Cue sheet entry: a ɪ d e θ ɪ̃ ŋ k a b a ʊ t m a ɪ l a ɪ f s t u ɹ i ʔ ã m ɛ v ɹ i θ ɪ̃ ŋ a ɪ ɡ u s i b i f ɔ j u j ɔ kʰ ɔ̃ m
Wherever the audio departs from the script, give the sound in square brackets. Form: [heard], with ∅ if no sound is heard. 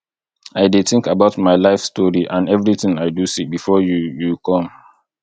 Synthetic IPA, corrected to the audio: a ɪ d e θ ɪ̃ ŋ k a b a ʊ t m a ɪ l a ɪ f s t [ɔ] ɹ i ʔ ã [n] ɛ v ɹ i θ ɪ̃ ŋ a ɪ [d] u s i b i f ɔ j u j [u] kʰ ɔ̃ m